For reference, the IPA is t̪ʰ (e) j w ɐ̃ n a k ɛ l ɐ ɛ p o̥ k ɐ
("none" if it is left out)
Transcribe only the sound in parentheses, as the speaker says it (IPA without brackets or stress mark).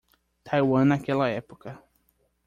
a